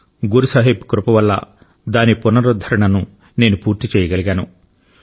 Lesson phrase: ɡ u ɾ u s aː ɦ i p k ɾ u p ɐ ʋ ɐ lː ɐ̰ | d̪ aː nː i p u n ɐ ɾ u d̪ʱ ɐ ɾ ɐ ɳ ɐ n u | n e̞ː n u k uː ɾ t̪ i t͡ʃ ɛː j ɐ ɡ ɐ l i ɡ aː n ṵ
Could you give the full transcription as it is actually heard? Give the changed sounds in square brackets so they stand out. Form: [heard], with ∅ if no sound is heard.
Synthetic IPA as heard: ɡ u ɾ u s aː ɦ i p k ɾ u p ɐ ʋ ɐ lː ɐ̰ | d̪ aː [n] i p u n ɐ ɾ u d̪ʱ ɐ ɾ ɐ ɳ ɐ n u | n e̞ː n u [p] uː ɾ t̪ i t͡ʃ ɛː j ɐ ɡ ɐ l i ɡ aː n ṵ